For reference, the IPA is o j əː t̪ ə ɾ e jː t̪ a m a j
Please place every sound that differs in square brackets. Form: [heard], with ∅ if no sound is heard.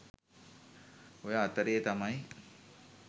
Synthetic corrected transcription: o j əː t̪ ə ɾ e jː t̪ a m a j